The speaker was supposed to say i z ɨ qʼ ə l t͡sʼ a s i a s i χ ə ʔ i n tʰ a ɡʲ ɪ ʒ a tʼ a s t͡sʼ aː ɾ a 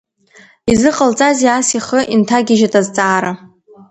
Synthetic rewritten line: i z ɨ qʼ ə l t͡sʼ a z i a s i χ ə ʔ i n tʰ a ɡʲ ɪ ʒ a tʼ a z t͡sʼ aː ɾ a